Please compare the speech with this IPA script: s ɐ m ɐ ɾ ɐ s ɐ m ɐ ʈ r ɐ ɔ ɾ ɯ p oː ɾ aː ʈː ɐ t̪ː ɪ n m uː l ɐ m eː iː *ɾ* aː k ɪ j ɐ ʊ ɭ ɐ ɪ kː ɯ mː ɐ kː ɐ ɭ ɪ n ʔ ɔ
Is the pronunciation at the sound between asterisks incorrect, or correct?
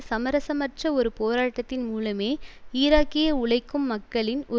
correct